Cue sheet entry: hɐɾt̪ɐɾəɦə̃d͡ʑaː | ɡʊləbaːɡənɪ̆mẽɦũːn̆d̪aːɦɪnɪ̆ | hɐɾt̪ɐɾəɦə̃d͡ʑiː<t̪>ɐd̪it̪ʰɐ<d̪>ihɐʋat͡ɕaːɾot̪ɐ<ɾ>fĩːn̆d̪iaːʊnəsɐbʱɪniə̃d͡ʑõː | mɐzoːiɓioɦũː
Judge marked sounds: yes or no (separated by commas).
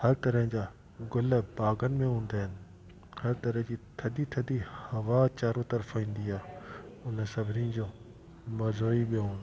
no, yes, yes